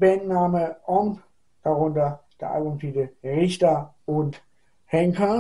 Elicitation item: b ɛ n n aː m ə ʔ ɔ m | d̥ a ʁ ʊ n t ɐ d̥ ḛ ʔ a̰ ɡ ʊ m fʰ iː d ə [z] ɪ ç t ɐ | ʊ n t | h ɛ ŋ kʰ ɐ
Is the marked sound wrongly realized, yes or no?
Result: yes